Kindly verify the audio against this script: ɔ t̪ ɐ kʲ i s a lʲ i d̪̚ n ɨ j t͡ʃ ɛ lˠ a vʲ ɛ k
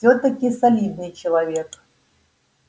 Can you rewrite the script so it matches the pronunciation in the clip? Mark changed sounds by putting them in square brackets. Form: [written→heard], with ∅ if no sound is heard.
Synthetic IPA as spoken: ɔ t̪ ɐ kʲ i s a lʲ i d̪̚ n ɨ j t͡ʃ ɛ lˠ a vʲ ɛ k